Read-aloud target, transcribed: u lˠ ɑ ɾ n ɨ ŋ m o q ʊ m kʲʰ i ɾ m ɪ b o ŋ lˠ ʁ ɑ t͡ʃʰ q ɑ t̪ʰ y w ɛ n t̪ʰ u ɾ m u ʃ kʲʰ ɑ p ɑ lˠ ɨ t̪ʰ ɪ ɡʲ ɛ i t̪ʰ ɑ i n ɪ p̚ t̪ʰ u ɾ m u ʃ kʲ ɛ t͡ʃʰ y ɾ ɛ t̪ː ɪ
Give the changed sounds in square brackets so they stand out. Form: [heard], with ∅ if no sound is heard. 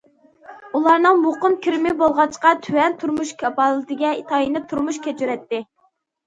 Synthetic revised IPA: u lˠ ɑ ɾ n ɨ ŋ m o q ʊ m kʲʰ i ɾ m ɪ b o [∅] lˠ ʁ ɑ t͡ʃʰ q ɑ t̪ʰ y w ɛ n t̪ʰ u ɾ m u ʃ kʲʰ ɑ p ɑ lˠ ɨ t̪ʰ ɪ ɡʲ ɛ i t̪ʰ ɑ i n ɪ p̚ t̪ʰ u ɾ m u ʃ kʲ ɛ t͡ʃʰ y ɾ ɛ t̪ː ɪ